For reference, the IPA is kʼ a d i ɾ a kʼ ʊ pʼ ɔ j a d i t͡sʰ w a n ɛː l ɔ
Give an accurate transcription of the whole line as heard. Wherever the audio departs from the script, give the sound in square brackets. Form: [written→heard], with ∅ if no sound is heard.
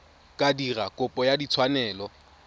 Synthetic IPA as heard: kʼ a d i [ɾ→r] a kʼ ʊ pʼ ɔ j a d i t͡sʰ w a n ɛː l ɔ